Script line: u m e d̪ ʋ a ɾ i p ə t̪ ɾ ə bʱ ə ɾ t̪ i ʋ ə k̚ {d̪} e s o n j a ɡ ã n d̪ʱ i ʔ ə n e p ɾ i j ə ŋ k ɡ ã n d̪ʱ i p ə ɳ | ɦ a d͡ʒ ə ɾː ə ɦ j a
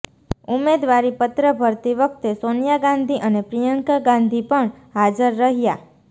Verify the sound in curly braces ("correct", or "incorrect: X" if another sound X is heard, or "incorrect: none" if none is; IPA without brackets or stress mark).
incorrect: t̪